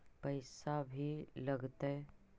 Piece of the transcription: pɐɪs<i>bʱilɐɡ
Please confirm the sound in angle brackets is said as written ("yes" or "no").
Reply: no